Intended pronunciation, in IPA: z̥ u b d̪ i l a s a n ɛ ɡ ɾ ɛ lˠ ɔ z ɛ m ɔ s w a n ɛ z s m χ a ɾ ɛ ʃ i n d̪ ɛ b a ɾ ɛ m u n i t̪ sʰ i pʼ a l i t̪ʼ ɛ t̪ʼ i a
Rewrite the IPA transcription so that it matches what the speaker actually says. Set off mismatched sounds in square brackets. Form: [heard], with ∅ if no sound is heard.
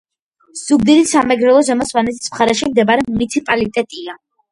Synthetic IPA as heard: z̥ u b d̪ i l [i] s a [m] ɛ ɡ ɾ ɛ lˠ ɔ z ɛ m ɔ s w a n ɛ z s m χ a ɾ ɛ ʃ i [m] d̪ ɛ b a ɾ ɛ m u n i t̪ sʰ i pʼ a l i t̪ʼ ɛ t̪ʼ i a